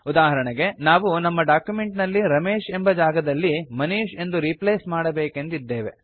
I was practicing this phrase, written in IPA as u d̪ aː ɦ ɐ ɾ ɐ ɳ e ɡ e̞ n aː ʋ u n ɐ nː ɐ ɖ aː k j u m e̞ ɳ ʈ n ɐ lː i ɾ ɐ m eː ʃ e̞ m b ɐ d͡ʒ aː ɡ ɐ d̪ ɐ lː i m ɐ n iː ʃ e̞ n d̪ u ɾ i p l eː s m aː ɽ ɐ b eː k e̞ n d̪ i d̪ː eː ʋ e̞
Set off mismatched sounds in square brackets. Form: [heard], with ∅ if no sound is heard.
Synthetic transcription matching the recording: u d̪ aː ɦ ɐ ɾ ɐ ɳ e ɡ e̞ n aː ʋ u n ɐ [mː] ɐ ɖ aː k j u m e̞ ɳ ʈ n ɐ lː i ɾ ɐ m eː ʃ e̞ m b ɐ d͡ʒ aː ɡ ɐ d̪ ɐ lː i m ɐ n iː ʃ e̞ n d̪ u ɾ i p l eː s m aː ɽ ɐ b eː k e̞ n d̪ i d̪ː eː ʋ e̞